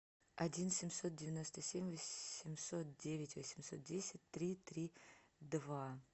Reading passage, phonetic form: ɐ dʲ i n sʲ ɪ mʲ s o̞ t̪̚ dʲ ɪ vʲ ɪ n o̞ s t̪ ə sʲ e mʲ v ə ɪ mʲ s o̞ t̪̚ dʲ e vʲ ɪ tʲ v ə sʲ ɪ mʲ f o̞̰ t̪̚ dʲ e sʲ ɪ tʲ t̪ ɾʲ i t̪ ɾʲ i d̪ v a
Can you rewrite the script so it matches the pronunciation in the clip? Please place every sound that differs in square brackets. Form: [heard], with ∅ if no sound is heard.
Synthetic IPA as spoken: ɐ dʲ i n sʲ ɪ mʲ s o̞ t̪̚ dʲ ɪ vʲ ɪ n o̞ s t̪ ə sʲ e mʲ v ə ɪ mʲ s o̞ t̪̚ dʲ e vʲ ɪ tʲ v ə sʲ ɪ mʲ [s] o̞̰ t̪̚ dʲ e sʲ ɪ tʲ t̪ ɾʲ i t̪ ɾʲ i d̪ v a